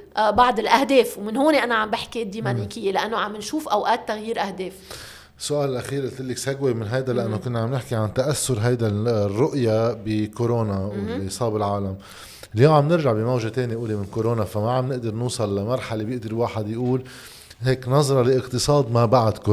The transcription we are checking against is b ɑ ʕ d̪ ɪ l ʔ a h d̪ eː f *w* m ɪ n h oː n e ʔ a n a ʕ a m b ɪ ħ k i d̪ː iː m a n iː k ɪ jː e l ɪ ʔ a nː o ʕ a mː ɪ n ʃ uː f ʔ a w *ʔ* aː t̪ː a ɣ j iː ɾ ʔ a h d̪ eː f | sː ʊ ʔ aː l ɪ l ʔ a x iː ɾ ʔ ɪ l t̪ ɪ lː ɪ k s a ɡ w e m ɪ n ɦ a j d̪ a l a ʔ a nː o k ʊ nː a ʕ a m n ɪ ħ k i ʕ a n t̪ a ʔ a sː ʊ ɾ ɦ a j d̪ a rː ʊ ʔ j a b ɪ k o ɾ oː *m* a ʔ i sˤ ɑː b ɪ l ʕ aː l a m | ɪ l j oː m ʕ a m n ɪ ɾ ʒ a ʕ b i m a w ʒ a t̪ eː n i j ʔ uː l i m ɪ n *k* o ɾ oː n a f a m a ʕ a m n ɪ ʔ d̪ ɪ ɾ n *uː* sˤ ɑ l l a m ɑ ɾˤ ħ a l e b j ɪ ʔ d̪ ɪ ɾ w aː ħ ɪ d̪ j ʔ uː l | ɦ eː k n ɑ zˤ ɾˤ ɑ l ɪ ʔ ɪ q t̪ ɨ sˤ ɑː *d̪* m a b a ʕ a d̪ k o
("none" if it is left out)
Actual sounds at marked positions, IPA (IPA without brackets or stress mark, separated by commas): w, ʔ, n, k, uː, d̪